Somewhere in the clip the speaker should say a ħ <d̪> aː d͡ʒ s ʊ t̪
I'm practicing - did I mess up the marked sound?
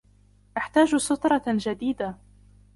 yes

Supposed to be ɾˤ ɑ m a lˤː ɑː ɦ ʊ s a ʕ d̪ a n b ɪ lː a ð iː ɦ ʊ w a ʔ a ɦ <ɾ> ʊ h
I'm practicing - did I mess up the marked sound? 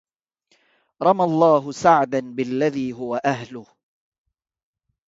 yes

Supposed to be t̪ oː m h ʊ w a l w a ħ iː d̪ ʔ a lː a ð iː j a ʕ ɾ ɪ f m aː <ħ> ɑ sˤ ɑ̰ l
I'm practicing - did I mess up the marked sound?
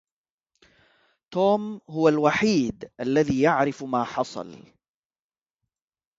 no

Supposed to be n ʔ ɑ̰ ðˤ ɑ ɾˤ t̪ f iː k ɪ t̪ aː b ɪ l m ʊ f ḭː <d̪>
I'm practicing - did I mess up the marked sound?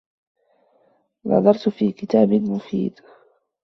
no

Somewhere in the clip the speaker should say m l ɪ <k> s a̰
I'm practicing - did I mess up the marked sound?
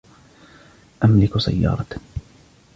no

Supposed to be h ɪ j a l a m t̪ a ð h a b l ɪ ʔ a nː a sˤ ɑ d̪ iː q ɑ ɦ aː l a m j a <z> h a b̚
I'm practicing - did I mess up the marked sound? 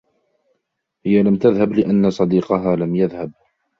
yes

